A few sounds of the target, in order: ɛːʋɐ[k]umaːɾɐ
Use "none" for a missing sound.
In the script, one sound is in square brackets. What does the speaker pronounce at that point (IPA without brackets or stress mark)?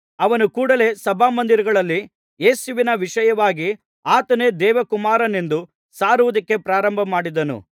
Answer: k